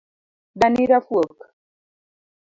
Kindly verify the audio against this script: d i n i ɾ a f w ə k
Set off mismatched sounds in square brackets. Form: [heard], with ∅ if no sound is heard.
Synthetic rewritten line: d [a] n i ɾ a f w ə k